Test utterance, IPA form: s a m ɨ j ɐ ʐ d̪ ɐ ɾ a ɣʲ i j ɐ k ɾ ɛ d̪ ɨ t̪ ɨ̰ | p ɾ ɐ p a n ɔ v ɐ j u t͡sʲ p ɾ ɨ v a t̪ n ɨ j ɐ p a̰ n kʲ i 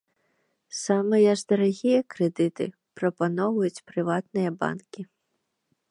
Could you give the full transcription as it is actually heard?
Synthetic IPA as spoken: s a m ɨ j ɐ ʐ d̪ ɐ ɾ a ɣʲ i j ɐ k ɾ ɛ d̪ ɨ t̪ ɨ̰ | p ɾ ɐ p a n ɔ v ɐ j u t͡sʲ p ɾ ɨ v a t̪ n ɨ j ɐ b a̰ n kʲ i